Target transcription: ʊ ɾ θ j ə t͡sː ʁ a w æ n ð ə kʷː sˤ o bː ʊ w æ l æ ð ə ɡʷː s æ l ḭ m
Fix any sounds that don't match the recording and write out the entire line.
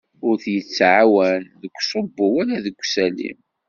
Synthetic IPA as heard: ʊ ɾ θ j ə t͡sː ʕ a w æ n ð ə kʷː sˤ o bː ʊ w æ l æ ð ə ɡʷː s æ l ḭ m